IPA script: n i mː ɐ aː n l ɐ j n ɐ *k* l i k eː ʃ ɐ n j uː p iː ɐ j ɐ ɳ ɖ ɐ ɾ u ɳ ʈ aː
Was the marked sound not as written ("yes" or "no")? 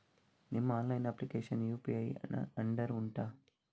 yes